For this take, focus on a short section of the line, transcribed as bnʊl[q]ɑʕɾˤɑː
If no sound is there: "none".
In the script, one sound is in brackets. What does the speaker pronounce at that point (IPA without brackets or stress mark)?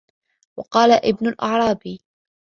ʔ